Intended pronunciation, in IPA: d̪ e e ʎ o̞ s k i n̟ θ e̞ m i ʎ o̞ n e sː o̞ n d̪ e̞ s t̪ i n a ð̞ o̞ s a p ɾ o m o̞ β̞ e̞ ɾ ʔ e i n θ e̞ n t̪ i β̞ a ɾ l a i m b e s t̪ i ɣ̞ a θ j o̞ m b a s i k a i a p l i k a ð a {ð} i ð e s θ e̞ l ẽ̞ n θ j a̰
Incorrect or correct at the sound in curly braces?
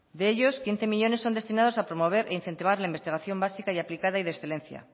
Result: incorrect: none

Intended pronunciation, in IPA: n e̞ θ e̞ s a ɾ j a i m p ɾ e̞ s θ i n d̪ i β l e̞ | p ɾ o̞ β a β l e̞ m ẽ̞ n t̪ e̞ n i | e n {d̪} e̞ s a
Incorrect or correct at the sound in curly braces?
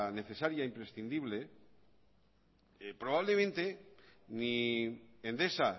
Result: correct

